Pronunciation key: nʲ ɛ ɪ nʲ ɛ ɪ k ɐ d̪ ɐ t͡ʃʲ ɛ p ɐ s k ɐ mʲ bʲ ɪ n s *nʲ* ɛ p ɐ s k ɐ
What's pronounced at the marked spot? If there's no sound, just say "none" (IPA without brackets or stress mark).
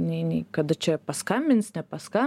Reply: nʲ